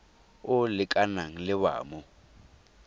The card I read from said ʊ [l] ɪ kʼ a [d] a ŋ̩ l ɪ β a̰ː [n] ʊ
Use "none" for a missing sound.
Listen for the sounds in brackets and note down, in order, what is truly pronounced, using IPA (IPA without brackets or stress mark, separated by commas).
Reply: l, n, m